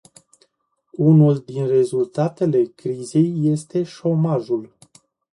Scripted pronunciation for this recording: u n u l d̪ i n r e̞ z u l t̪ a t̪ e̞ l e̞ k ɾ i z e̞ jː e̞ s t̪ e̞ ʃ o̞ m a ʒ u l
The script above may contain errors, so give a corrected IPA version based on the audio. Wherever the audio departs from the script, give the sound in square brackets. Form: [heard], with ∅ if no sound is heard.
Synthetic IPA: u n u l d̪ i n r e̞ z u l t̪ a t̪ e̞ l e̞ k ɾ i z e̞ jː e̞ s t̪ e̞ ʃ o̞ m a ʒ u l